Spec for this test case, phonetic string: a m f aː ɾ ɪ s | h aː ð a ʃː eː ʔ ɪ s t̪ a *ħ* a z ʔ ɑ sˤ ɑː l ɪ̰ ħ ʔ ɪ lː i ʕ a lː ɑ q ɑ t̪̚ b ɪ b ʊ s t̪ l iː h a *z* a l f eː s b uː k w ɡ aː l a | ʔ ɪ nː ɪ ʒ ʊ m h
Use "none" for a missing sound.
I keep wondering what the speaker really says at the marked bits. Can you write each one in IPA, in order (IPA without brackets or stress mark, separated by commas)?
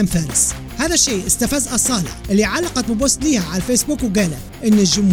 f, ʕ